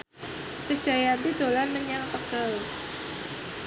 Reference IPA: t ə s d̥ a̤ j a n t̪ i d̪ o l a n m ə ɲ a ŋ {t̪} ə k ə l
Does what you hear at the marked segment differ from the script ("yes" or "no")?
no